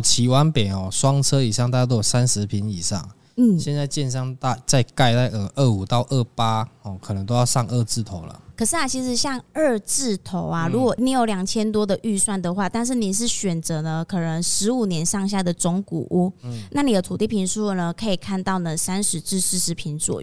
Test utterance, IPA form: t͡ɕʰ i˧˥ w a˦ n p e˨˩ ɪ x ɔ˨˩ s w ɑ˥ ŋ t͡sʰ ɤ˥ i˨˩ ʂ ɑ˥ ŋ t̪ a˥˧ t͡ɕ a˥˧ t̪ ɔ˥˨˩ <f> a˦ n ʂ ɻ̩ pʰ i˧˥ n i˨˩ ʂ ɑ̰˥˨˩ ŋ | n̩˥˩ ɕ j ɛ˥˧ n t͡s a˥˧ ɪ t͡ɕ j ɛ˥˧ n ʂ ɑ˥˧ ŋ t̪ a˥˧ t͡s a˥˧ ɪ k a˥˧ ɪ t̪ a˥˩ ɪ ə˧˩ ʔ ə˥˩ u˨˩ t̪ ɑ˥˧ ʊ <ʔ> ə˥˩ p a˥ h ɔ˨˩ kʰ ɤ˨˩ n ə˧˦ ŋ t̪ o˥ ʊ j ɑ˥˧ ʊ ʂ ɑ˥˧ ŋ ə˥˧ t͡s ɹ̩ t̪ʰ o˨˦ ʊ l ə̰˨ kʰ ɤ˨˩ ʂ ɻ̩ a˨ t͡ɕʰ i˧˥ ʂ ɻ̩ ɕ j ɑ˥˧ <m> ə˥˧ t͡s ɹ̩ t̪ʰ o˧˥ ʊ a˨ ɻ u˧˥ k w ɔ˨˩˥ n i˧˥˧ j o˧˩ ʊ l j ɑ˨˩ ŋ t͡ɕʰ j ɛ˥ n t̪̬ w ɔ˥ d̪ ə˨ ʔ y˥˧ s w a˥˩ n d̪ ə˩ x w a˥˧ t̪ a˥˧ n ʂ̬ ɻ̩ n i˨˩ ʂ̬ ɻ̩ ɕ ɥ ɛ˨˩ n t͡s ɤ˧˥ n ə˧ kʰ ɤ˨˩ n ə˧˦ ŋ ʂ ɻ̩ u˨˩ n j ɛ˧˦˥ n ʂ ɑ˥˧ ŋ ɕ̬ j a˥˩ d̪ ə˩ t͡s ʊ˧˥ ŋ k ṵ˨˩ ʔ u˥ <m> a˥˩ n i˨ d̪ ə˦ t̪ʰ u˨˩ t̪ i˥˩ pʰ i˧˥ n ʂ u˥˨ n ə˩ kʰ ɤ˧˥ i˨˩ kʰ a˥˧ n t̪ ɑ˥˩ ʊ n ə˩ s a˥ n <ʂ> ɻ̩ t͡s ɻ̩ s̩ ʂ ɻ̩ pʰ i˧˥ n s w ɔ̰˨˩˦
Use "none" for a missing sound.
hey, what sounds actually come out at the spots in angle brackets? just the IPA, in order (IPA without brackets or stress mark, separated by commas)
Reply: s, ʔ, ŋ, n, ʂ